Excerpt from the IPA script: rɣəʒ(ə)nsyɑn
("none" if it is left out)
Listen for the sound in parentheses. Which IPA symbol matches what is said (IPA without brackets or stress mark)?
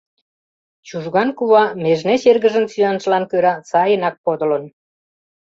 ə